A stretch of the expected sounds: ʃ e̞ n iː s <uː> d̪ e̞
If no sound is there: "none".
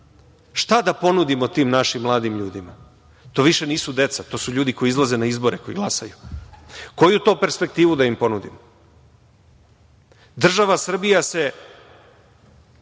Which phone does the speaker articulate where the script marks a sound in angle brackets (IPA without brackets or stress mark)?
u